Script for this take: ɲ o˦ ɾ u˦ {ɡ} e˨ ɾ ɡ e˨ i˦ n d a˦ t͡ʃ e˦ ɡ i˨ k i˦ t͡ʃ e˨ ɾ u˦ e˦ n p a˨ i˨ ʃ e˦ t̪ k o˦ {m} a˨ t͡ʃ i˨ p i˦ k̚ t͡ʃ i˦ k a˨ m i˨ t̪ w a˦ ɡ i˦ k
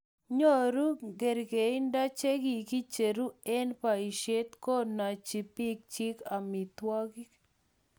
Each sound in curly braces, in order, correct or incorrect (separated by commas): correct, incorrect